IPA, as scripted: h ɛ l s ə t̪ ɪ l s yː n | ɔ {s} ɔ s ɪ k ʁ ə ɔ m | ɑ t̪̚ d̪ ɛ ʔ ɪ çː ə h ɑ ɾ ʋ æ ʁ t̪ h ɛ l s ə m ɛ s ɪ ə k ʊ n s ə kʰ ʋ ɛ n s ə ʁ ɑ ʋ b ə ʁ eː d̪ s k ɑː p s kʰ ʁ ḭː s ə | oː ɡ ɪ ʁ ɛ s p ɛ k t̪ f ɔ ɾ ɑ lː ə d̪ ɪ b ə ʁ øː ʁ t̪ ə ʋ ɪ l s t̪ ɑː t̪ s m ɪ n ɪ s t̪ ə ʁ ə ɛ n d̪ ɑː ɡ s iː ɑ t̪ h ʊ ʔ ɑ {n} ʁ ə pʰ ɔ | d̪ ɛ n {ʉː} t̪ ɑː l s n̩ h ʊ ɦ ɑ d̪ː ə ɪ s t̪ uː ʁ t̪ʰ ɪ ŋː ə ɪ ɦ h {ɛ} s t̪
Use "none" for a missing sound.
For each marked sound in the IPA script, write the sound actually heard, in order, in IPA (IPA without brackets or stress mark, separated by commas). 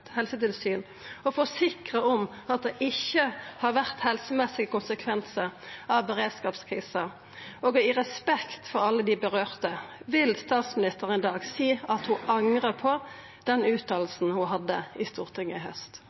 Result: f, ŋ, ʉː, œ